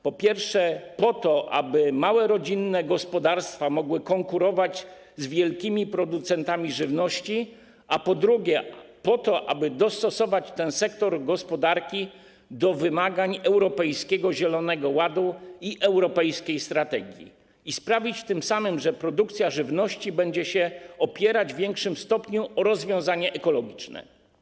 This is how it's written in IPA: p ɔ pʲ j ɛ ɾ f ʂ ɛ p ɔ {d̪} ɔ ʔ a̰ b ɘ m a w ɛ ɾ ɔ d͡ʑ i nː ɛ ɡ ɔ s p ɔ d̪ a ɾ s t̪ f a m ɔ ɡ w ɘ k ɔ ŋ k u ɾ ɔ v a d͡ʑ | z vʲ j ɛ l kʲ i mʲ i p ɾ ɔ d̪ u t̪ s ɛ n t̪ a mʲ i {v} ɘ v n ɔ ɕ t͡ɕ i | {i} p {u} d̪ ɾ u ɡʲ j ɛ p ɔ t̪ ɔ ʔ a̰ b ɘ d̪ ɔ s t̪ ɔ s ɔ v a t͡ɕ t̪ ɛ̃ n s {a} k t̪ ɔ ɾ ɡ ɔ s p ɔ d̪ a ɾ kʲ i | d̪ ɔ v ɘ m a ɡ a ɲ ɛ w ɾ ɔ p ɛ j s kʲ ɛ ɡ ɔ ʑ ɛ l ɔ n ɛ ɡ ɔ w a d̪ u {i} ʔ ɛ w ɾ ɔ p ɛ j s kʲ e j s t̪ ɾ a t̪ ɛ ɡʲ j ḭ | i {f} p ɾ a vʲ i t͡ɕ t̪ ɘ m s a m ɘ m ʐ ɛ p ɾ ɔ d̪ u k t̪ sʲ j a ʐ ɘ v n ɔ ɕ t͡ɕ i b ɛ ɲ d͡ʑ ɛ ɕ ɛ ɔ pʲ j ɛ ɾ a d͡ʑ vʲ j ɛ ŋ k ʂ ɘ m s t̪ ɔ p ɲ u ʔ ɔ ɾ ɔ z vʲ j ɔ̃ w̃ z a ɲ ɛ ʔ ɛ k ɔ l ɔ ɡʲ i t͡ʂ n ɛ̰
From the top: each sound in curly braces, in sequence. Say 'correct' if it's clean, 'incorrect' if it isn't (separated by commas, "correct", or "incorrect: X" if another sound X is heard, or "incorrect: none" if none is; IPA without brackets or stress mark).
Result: incorrect: t̪, incorrect: ʐ, incorrect: a, incorrect: ɔ, incorrect: ɛ, correct, incorrect: s